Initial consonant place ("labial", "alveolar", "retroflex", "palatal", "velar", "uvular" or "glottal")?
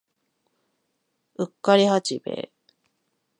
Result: velar